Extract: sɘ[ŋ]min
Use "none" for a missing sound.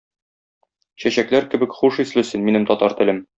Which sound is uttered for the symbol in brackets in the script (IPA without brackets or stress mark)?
n